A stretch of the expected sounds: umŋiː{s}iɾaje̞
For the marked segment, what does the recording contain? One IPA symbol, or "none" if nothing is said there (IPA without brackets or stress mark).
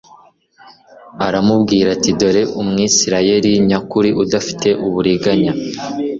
s